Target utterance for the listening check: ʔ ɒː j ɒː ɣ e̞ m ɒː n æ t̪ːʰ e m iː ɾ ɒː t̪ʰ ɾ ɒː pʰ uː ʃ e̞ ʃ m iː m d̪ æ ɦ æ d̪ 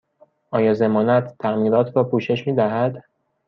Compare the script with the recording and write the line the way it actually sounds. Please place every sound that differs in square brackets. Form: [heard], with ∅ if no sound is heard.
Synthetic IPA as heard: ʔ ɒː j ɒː [z] e̞ m ɒː n æ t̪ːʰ [æ] m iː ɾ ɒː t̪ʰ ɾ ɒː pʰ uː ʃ e̞ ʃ m iː [∅] d̪ æ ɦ æ d̪